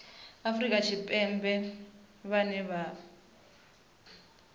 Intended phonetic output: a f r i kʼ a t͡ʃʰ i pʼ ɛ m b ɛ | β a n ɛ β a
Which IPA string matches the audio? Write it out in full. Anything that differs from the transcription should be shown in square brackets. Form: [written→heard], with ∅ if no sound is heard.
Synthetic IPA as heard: a f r i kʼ a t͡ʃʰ i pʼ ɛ m b ɛ | β a n ɛ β a